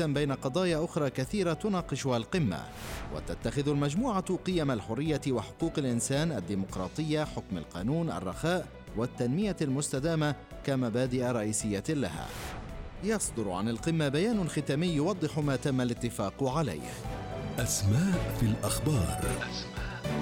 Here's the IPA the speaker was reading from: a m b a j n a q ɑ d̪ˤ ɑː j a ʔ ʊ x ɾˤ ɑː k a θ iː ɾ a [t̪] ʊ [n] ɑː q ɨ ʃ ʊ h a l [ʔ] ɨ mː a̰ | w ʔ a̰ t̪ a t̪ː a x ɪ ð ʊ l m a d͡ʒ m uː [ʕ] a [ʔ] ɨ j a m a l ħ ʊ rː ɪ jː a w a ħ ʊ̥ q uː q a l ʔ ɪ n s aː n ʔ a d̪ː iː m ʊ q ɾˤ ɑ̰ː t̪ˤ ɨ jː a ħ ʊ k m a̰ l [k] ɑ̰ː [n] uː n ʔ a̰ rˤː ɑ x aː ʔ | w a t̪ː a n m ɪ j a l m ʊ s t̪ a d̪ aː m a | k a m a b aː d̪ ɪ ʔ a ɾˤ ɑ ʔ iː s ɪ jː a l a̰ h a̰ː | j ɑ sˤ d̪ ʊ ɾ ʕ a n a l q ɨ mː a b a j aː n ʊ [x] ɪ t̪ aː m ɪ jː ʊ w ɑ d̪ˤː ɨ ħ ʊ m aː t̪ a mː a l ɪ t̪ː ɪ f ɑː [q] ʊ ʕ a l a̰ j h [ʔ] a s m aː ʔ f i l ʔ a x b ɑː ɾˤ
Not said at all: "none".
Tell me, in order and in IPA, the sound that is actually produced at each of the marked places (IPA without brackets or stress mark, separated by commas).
t̪, n, q, ʕ, q, q, n, x, q, ʔ